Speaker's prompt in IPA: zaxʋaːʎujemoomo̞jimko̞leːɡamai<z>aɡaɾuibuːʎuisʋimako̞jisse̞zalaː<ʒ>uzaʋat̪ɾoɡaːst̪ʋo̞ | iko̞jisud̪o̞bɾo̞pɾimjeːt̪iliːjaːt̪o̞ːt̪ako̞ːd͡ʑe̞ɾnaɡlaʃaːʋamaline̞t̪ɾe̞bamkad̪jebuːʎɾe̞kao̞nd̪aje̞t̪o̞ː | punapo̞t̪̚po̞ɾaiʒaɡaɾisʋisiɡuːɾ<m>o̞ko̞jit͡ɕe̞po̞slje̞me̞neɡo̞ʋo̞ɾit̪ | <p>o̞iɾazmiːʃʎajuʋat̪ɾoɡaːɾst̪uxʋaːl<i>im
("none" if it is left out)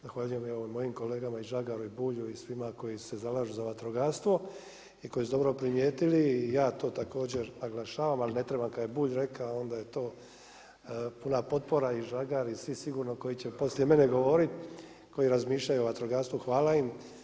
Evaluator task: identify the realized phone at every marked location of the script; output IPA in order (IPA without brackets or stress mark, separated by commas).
ʒ, ʒ, n, k, a